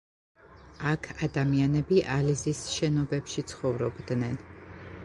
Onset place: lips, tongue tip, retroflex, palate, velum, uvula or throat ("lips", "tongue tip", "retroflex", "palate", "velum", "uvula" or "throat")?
velum